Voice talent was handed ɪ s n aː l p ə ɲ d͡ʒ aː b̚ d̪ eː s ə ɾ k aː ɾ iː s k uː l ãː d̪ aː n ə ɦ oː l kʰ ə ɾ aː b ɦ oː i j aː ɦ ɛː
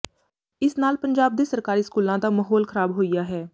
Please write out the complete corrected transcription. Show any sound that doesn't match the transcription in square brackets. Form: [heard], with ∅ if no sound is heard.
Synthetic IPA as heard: ɪ s n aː l p ə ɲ d͡ʒ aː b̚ d̪ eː s ə ɾ k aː ɾ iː s k uː l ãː d̪ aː [m] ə ɦ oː l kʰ ə ɾ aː b ɦ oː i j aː ɦ ɛː